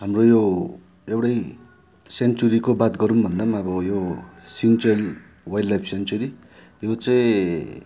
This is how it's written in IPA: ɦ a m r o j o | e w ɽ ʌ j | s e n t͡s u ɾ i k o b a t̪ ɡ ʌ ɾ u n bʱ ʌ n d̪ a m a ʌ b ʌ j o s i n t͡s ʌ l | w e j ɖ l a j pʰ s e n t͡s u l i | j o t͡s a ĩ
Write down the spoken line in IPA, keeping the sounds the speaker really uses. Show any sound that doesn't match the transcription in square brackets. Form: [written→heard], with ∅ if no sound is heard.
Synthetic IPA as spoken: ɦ a m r o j o | e w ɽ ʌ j | s e n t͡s u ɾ i k o b a t̪ ɡ ʌ ɾ u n bʱ ʌ n d̪ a m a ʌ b ʌ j o s i n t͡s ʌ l | w [e→a] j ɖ l a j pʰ s e n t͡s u [l→ɾ] i | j o t͡s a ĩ